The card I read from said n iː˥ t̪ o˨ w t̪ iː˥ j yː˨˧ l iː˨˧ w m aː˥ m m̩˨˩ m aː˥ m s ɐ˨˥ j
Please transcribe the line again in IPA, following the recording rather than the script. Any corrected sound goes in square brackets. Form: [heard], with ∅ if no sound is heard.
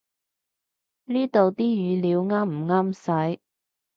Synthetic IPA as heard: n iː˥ t̪ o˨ w t̪ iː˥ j yː˨˧ l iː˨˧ w [ŋ] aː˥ m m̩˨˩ [ŋ] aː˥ m s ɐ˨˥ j